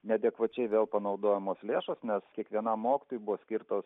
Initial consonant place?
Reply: alveolar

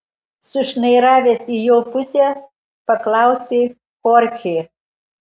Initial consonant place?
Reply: alveolar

